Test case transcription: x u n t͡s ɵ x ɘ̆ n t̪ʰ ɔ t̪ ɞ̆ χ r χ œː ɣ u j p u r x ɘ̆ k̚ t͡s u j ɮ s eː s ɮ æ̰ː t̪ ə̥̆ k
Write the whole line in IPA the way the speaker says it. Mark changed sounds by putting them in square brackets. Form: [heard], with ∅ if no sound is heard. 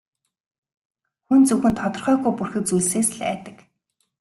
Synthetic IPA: x u n t͡s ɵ x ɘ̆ n t̪ʰ ɔ t̪ ɞ̆ [∅] r χ œː ɣ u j p u r x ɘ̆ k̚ t͡s u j ɮ s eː s ɮ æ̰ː t̪ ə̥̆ k